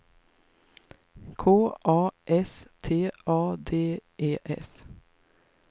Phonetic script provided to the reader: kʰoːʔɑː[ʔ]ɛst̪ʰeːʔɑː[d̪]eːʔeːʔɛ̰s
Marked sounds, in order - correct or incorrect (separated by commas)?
correct, correct